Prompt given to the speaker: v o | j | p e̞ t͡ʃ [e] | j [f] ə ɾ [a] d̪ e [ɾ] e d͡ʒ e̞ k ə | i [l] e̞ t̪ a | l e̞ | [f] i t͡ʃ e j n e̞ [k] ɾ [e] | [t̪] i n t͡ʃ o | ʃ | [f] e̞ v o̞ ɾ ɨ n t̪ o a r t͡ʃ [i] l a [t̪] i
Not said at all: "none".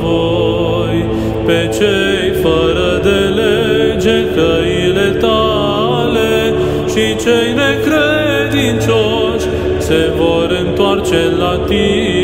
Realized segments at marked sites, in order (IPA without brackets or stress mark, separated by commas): e, f, ə, l, l, ʃ, k, e, d̪, s, e, t̪